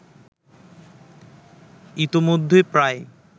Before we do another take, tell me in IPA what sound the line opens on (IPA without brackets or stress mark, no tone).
i